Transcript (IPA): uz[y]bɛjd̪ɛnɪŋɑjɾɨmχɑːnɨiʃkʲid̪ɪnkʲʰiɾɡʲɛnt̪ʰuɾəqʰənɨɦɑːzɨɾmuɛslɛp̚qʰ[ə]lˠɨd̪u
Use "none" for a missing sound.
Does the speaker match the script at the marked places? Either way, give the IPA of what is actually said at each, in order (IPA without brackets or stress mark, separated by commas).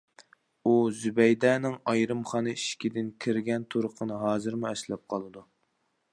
y, ɑ